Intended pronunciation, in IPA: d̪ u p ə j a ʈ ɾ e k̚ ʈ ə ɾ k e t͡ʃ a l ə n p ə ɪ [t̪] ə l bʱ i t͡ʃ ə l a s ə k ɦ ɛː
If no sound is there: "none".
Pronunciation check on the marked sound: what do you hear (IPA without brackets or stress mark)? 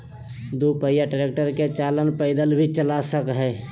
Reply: d̪